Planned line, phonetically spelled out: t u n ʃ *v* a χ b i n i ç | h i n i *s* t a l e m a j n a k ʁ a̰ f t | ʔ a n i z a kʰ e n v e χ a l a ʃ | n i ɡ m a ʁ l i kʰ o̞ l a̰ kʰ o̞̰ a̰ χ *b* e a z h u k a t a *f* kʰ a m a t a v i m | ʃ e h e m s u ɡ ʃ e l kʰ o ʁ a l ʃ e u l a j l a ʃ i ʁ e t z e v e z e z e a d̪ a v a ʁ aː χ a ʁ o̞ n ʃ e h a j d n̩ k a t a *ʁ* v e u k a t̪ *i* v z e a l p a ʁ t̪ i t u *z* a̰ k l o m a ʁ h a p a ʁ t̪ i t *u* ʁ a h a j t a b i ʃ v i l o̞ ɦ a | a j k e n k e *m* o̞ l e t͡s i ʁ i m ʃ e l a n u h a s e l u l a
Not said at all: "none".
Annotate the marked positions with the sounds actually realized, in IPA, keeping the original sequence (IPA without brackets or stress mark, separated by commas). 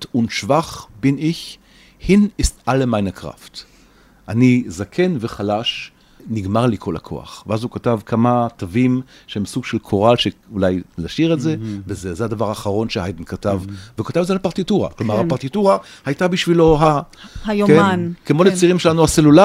v, s, v, v, v, a, ʁ, u, m